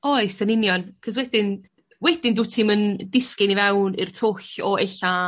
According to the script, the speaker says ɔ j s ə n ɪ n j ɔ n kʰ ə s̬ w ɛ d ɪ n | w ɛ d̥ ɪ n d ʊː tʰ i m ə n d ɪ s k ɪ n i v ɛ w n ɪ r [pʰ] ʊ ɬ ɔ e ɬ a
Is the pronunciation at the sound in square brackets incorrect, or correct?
incorrect: tʰ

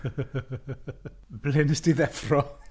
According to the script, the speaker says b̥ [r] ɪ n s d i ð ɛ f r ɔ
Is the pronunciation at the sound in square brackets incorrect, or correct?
incorrect: l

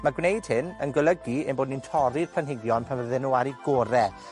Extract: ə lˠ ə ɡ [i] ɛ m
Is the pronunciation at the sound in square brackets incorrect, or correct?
correct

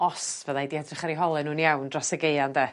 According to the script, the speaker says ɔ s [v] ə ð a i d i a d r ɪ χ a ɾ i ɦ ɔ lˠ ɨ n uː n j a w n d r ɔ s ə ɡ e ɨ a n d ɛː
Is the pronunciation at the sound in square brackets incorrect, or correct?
correct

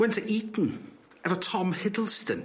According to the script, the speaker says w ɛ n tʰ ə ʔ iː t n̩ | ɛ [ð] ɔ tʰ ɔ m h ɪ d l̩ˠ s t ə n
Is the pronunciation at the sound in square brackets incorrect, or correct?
incorrect: v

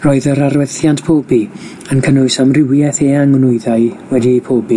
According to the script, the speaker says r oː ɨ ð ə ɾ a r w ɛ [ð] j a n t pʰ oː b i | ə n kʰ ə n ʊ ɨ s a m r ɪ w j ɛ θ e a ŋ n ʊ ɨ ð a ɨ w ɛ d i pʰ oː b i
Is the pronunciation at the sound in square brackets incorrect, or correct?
incorrect: θ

